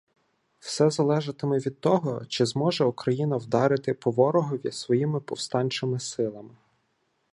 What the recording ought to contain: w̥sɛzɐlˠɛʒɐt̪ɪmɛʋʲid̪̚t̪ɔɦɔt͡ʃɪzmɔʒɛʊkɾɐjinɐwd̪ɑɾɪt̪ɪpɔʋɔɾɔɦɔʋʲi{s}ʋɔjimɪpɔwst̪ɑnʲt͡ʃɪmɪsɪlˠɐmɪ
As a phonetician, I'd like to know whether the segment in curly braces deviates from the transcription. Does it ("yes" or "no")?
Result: no